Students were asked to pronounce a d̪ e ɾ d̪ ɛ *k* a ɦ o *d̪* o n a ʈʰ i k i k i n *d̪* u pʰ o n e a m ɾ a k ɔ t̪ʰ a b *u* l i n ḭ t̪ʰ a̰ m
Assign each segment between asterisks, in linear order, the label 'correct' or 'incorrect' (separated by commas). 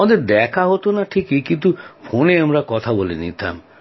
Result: incorrect, incorrect, incorrect, incorrect